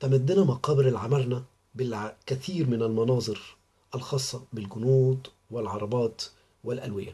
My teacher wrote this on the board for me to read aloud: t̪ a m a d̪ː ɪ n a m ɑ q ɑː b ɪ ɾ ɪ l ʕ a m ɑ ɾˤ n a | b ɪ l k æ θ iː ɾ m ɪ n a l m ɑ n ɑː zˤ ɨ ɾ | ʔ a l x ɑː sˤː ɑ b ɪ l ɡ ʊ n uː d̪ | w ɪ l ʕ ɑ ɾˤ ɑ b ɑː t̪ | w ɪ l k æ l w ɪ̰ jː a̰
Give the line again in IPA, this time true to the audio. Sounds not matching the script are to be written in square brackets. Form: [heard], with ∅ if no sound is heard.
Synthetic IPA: t̪ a m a d̪ː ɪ n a m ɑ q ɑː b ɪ ɾ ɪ l ʕ a m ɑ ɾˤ n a | b ɪ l k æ θ iː ɾ m ɪ n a l m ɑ n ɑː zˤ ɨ ɾ | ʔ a l x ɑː sˤː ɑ b ɪ l ɡ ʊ n uː d̪ | w ɪ l ʕ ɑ ɾˤ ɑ b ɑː t̪ | w ɪ l [ʔ] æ l w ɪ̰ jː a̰